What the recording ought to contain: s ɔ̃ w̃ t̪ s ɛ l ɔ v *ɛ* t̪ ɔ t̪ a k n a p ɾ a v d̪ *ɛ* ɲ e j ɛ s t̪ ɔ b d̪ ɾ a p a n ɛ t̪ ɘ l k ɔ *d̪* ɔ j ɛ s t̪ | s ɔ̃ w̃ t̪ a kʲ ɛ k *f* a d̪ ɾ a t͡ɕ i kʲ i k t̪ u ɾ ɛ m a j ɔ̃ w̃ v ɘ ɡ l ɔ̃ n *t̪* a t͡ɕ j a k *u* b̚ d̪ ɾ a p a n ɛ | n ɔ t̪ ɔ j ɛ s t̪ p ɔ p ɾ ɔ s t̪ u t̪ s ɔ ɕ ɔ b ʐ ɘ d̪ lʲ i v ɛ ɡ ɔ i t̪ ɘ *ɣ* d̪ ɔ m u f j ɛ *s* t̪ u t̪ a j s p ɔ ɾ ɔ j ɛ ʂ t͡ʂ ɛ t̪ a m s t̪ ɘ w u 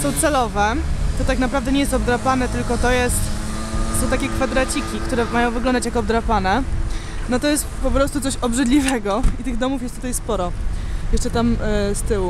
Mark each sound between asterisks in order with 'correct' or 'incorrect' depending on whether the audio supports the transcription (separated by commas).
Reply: correct, correct, incorrect, correct, incorrect, incorrect, correct, correct